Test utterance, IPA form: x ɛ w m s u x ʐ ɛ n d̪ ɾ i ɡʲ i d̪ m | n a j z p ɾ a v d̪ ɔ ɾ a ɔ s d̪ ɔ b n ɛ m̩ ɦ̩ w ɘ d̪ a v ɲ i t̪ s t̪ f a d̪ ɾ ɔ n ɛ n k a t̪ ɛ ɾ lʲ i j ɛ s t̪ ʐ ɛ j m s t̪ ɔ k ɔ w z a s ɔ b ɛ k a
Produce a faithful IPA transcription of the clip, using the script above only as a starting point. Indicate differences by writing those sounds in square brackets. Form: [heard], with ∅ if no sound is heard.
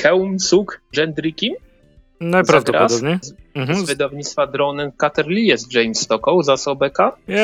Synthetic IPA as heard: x ɛ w m s u [k] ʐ ɛ n d̪ ɾ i [kʲ] i [∅] m | n a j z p ɾ a v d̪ ɔ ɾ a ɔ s d̪ ɔ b [ɲ] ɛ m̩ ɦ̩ [v] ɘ d̪ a v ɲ i t̪ s t̪ f a d̪ ɾ ɔ n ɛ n k a t̪ ɛ ɾ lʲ i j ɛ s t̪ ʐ ɛ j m s t̪ ɔ k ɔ w z a s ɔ b ɛ k a